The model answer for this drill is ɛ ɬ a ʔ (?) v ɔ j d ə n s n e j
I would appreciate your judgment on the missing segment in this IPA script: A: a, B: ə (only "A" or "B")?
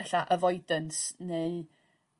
B